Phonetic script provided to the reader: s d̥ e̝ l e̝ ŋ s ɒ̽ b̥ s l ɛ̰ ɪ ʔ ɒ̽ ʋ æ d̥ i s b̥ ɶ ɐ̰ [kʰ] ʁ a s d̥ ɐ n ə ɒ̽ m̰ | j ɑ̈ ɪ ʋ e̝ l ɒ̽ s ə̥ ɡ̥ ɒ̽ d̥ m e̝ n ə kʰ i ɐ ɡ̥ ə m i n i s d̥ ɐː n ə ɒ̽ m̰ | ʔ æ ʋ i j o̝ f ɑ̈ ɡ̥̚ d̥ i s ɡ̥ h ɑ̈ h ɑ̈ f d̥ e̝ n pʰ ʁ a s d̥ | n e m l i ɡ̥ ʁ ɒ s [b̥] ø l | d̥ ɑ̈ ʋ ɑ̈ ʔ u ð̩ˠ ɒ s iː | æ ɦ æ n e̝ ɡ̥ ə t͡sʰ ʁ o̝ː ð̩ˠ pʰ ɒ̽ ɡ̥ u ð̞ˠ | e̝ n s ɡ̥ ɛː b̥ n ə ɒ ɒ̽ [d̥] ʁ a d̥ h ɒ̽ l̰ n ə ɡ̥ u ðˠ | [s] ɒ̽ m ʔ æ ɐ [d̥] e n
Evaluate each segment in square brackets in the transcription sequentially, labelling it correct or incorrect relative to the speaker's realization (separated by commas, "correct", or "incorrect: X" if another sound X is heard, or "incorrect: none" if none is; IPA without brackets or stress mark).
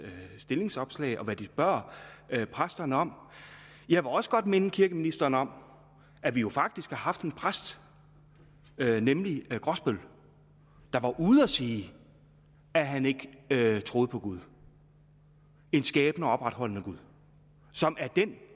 incorrect: pʰ, correct, incorrect: b̥, correct, correct